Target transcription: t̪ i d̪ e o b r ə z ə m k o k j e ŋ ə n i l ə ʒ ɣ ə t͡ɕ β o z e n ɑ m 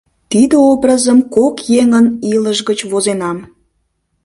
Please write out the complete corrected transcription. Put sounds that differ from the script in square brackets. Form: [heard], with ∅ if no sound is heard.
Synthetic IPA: t̪ i d̪ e o b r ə z ə m k o k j e ŋ ə n i l ə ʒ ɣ ə t͡ɕ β o z e n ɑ m